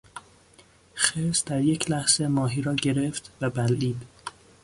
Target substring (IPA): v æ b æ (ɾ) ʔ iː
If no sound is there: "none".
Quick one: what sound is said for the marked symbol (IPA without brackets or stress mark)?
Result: l